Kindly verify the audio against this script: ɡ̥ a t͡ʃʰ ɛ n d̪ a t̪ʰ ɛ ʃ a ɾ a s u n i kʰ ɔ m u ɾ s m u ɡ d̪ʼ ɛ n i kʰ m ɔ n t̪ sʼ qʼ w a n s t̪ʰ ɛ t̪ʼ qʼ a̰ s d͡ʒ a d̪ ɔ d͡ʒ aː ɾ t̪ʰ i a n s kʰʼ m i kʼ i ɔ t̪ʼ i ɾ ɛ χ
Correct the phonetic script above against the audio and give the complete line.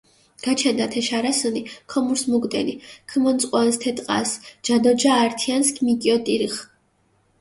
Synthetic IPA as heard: ɡ̥ a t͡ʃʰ ɛ n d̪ a t̪ʰ ɛ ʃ a ɾ a s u n i kʰ ɔ m u ɾ s m u ɡ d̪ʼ ɛ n i kʰ m ɔ n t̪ sʼ qʼ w a n s t̪ʰ ɛ t̪ʼ qʼ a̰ s d͡ʒ a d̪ ɔ d͡ʒ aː ɾ t̪ʰ i a n s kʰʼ m i kʼ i ɔ t̪ʼ i ɾ i χ

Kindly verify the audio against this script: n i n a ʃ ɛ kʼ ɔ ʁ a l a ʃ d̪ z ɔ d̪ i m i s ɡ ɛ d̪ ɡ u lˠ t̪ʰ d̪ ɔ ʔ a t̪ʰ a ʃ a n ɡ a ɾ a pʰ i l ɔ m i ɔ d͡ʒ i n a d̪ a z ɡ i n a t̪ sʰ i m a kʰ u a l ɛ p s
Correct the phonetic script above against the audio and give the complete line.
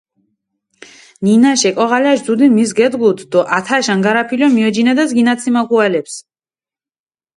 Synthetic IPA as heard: n i n a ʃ ɛ kʼ ɔ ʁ a l a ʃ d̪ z u d̪ i m i s ɡ ɛ d̪ ɡ u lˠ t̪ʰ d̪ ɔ ʔ a t̪ʰ a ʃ a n ɡ a ɾ a pʰ i l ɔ m i ɔ d͡ʒ i n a d̪ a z ɡ i n a t̪ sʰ i m a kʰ u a l ɛ p s

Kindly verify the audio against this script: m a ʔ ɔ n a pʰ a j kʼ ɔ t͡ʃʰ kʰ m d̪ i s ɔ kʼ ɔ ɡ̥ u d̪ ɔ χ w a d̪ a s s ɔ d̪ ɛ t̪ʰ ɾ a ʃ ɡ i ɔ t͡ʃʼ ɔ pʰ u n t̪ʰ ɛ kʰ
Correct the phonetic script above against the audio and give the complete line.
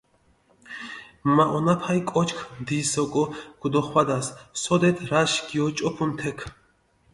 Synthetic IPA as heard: m a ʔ ɔ n a pʰ a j kʼ ɔ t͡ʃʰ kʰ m d̪ i s ɔ kʼ ɔ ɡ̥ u d̪ ɔ χ w a d̪ a s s ɔ d̪ ɛ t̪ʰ ɾ a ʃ ɡ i ɔ t͡ʃʼ ɔ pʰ u n t̪ʰ ɛ kʰ

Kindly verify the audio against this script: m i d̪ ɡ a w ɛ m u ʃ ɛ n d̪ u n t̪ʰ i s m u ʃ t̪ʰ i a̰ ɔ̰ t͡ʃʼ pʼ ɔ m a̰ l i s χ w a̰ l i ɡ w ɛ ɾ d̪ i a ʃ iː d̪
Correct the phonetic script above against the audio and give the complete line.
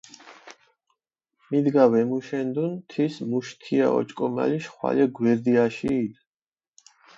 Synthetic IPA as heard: m i d̪ ɡ a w ɛ m u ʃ ɛ n d̪ u n t̪ʰ i s m u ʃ t̪ʰ i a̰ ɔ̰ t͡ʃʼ kʼ ɔ m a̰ l i ʃ χ w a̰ l ɛ ɡ w ɛ ɾ d̪ i a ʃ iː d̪

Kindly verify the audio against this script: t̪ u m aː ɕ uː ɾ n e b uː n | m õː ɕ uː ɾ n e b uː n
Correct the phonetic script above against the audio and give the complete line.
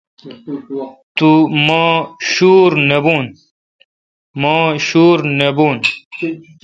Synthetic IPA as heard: t̪ u m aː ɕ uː ɾ n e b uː n | m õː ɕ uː ɾ n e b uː n

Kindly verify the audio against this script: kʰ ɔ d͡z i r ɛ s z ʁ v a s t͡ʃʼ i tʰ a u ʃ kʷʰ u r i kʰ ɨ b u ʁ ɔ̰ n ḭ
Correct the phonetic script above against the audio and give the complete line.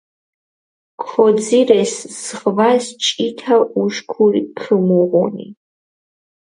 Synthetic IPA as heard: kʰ ɔ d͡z i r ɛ s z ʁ v a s t͡ʃʼ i tʰ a u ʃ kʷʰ u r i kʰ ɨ m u ʁ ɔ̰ n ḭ

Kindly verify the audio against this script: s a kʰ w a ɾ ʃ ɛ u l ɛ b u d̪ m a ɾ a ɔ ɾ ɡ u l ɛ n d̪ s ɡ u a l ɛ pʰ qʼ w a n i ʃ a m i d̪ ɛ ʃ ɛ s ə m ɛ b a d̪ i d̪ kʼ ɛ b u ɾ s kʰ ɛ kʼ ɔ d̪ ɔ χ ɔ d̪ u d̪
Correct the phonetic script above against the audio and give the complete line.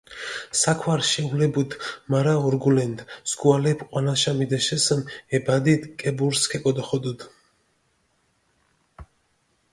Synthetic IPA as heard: s a kʰ w a ɾ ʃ ɛ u l ɛ b u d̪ m a ɾ a ɔ ɾ ɡ u l ɛ n d̪ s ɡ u a l ɛ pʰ qʼ w a n a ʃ a m i d̪ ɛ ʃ ɛ s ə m ɛ b a d̪ i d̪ kʼ ɛ b u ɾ s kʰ ɛ kʼ ɔ d̪ ɔ χ ɔ d̪ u d̪

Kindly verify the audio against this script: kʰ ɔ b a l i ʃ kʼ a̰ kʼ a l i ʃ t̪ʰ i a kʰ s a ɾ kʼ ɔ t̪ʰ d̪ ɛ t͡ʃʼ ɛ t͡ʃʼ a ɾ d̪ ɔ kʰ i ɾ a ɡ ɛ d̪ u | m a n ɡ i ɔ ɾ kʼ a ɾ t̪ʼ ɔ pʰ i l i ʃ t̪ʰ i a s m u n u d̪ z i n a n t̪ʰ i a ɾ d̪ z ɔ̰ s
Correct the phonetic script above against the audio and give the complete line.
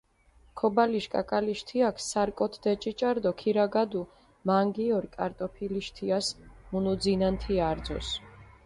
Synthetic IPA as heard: kʰ ɔ b a l i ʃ kʼ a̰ kʼ a l i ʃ t̪ʰ i a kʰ s a ɾ kʼ ɔ t̪ʰ d̪ ɛ t͡ʃʼ i t͡ʃʼ a ɾ d̪ ɔ kʰ i ɾ a ɡ a d̪ u | m a ŋ ɡ i ɔ ɾ kʼ a ɾ t̪ʼ ɔ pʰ i l i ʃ t̪ʰ i a s m u n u d̪ z i n a n t̪ʰ i a ɾ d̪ z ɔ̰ s

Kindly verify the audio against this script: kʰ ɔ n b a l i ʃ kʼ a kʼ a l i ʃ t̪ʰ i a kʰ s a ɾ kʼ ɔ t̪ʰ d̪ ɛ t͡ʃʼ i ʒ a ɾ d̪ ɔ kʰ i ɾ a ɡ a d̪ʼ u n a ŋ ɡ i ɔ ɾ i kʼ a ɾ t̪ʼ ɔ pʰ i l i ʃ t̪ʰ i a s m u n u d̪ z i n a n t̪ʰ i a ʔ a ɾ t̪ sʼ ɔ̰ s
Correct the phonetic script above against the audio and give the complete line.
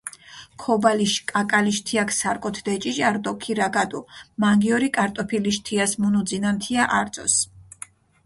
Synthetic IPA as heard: kʰ ɔ b a l i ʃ kʼ a kʼ a l i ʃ t̪ʰ i a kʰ s a ɾ kʼ ɔ t̪ʰ d̪ ɛ t͡ʃʼ i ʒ a ɾ d̪ ɔ kʰ i ɾ a ɡ a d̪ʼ u m a ŋ ɡ i ɔ ɾ i kʼ a ɾ t̪ʼ ɔ pʰ i l i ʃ t̪ʰ i a s m u n u d̪ z i n a n t̪ʰ i a ʔ a ɾ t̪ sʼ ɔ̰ s

